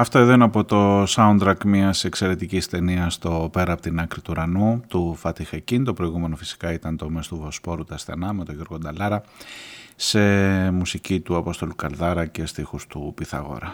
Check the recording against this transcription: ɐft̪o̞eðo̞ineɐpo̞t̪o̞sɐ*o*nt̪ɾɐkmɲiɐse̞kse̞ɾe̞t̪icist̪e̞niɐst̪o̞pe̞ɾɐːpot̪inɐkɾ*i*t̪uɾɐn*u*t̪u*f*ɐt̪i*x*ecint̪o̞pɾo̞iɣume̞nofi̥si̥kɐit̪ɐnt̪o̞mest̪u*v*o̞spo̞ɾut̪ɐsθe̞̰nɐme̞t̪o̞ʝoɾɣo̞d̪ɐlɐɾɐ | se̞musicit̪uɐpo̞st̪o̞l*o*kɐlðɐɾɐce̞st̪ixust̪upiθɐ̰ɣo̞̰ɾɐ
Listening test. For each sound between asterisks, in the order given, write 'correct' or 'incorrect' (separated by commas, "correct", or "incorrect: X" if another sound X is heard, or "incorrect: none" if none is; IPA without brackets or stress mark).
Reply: incorrect: u, correct, correct, correct, correct, correct, incorrect: u